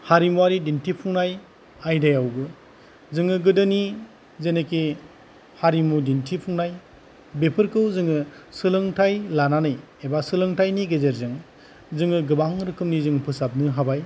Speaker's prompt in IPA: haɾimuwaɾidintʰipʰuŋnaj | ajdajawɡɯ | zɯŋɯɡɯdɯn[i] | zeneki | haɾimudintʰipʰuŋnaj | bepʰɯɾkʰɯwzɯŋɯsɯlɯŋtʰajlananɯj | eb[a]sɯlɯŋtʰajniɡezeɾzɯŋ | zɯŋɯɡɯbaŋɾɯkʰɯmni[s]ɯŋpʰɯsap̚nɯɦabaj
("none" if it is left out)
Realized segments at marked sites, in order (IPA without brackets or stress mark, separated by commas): i, a, z